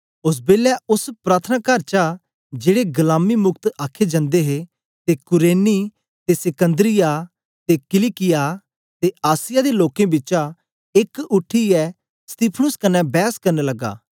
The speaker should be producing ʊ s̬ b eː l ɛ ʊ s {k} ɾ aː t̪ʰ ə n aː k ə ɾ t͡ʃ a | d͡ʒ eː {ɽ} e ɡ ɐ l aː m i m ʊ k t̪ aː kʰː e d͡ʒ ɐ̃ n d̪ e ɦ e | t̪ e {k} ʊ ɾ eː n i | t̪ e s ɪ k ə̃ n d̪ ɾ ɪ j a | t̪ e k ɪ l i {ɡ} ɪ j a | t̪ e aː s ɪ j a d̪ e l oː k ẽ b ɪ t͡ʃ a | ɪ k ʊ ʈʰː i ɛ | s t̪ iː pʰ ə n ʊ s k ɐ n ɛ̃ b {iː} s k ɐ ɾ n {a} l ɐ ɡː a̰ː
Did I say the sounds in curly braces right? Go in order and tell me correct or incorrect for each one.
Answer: incorrect: p, correct, correct, incorrect: k, incorrect: ɛː, incorrect: e

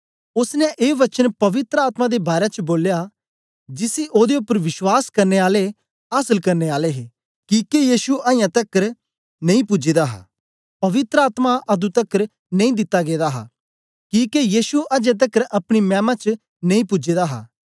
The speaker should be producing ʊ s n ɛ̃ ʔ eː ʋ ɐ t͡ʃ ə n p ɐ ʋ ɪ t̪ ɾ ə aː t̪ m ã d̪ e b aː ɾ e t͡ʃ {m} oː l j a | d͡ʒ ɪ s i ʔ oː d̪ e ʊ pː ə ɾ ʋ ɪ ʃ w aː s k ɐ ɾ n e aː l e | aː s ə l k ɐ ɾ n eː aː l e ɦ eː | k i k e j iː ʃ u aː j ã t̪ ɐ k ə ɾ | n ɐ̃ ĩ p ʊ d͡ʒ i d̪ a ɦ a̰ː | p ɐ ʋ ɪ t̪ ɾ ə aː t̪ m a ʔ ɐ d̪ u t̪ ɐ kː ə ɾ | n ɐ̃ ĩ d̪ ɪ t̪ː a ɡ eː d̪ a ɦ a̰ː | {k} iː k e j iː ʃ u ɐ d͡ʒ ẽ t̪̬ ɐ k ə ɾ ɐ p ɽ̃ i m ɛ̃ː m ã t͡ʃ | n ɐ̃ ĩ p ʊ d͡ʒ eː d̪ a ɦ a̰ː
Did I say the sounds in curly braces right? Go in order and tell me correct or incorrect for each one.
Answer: incorrect: b, correct

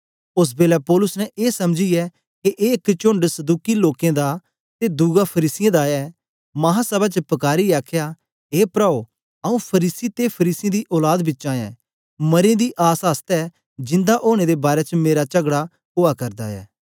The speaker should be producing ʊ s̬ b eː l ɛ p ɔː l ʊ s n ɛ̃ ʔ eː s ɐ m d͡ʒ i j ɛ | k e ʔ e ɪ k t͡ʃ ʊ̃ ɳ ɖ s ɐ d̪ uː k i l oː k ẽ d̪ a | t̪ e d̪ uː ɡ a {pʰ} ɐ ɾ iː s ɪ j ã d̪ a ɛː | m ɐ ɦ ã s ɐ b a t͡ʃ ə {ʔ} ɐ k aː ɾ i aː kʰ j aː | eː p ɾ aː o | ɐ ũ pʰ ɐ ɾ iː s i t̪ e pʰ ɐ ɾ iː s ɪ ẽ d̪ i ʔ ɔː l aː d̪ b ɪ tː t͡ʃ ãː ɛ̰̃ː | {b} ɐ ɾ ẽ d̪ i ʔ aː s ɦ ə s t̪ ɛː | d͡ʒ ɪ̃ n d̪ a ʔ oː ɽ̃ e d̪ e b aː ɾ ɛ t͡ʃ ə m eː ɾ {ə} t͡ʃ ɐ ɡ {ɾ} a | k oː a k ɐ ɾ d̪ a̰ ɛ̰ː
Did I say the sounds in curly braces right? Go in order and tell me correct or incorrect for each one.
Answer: correct, incorrect: p, incorrect: m, incorrect: a, incorrect: ɽ

